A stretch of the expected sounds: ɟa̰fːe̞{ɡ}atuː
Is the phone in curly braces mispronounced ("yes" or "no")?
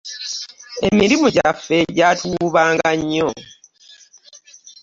yes